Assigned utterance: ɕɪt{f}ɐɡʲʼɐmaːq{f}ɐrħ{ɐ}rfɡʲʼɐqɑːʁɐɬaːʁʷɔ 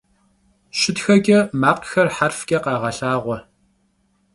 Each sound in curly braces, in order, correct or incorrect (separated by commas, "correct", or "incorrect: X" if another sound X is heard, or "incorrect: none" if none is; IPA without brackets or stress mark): incorrect: x, incorrect: x, incorrect: a